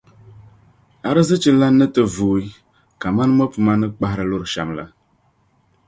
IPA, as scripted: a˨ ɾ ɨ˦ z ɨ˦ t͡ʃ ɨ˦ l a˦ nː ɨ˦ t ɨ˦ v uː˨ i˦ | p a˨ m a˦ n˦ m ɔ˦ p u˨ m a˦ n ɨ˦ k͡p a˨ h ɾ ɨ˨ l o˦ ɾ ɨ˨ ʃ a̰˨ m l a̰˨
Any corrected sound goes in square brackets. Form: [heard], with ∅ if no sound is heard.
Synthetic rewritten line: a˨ ɾ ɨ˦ z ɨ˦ t͡ʃ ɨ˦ l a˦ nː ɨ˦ t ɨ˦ v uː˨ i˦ | [k] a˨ m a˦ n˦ m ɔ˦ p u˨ m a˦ n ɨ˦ k͡p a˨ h ɾ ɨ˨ l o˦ ɾ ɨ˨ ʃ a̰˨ m l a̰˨